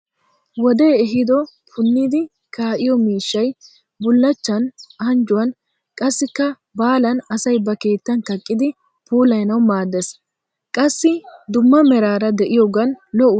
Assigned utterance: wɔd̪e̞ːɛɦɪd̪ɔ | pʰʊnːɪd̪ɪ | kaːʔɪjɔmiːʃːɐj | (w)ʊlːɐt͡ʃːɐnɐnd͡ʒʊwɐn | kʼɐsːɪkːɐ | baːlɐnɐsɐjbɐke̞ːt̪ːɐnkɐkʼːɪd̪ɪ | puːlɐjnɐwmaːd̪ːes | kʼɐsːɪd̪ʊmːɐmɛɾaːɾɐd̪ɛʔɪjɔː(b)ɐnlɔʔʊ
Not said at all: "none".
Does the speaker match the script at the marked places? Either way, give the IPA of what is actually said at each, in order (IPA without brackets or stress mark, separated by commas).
b, ɡ